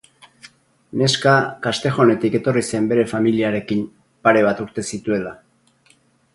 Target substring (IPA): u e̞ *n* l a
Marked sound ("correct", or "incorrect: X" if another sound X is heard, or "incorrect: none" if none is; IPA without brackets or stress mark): incorrect: none